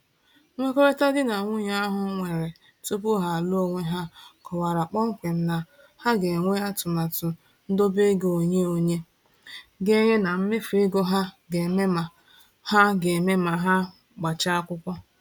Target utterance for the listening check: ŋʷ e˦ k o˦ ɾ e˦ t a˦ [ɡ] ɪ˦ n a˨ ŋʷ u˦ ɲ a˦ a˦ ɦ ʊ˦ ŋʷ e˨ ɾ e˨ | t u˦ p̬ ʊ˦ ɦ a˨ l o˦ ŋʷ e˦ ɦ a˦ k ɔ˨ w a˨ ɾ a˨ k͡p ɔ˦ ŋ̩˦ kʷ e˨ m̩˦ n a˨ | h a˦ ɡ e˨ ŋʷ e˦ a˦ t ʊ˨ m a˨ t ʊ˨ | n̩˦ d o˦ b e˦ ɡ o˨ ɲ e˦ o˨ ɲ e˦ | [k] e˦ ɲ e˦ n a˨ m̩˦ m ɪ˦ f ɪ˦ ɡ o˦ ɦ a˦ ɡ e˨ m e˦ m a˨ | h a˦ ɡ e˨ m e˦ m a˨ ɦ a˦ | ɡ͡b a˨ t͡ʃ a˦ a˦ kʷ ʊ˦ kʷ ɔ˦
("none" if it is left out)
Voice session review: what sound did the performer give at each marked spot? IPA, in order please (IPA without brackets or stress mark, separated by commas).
d, ɡ